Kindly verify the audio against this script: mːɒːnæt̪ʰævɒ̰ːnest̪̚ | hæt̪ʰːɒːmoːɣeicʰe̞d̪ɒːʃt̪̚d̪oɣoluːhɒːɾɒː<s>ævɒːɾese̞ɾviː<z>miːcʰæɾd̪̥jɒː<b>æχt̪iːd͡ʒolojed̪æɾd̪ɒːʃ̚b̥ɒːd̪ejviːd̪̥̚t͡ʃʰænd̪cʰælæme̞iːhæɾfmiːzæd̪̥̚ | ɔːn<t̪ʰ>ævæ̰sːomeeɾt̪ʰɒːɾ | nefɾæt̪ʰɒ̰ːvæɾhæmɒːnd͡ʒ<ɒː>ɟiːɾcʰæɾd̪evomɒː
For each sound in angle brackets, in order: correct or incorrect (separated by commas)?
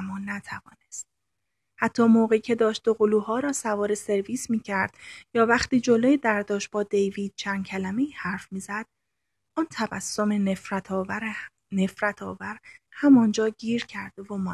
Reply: correct, incorrect, incorrect, correct, correct